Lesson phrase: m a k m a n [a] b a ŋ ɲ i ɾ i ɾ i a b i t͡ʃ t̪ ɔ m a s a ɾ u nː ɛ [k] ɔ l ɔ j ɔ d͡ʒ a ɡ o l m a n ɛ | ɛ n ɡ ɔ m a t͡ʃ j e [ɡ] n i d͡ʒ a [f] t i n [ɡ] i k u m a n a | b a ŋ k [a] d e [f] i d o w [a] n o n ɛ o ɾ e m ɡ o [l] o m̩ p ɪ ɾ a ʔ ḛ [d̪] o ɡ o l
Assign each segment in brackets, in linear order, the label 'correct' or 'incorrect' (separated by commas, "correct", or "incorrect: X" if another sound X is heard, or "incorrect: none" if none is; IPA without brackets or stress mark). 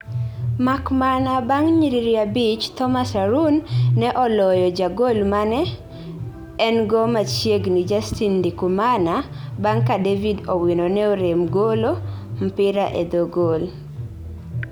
correct, incorrect: ʔ, correct, incorrect: s, incorrect: d, correct, incorrect: v, incorrect: i, correct, correct